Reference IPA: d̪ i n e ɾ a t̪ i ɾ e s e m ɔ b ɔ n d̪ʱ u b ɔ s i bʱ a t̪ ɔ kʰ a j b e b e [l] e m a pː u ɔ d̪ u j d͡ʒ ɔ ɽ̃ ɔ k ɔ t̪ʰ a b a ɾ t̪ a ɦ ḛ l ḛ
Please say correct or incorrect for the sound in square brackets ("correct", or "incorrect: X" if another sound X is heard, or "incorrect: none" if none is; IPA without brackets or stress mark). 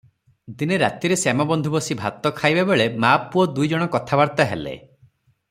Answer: incorrect: ɭ